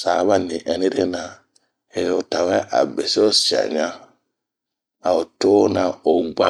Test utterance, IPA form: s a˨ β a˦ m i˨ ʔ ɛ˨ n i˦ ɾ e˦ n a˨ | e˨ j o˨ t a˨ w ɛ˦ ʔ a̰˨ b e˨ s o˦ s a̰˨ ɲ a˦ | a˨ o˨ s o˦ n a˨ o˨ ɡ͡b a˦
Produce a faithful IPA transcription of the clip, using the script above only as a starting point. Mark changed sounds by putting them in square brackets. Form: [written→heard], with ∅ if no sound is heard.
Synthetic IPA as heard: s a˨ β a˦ [m→n] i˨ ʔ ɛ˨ n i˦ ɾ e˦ n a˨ | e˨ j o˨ t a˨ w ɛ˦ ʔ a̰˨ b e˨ s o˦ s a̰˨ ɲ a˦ | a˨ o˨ [s→t] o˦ n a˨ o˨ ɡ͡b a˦